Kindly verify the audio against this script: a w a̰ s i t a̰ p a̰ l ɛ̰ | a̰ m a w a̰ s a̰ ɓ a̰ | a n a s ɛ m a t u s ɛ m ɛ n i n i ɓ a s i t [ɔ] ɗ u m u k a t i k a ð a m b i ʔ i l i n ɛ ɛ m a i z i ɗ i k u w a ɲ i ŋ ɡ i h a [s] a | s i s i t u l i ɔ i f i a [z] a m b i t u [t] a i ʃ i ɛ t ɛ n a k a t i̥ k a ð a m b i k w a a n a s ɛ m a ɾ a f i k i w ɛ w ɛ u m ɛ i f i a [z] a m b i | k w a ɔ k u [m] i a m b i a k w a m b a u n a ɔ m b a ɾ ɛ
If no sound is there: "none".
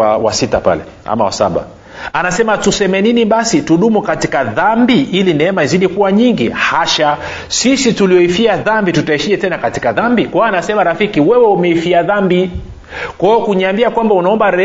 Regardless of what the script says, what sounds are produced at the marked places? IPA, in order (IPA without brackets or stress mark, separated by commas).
u, ʃ, ð, t, ð, ɲ